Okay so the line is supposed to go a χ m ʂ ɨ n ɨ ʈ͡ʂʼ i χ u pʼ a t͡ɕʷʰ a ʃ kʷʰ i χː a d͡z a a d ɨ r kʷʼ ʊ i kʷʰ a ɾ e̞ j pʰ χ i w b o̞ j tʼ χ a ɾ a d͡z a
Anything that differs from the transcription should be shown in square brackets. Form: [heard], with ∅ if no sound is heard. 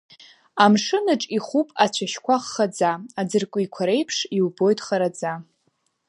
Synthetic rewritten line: a [∅] m ʂ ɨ n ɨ ʈ͡ʂʼ i χ u pʼ a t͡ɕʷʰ a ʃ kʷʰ [a] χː a d͡z a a [d͡z] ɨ r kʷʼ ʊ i kʷʰ a ɾ e̞ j pʰ [ʂ] i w b o̞ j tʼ χ a ɾ a d͡z a